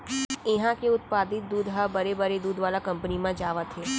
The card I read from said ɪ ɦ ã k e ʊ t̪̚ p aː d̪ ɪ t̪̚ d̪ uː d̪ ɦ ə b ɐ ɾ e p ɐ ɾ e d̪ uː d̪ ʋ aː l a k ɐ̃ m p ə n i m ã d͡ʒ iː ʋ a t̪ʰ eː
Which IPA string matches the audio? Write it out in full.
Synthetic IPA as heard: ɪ ɦ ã k e ʊ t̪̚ p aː d̪ ɪ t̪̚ d̪ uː d̪ ɦ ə b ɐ ɾ e b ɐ ɾ e d̪ uː d̪ ʋ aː l a k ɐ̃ m p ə n i m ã d͡ʒ aː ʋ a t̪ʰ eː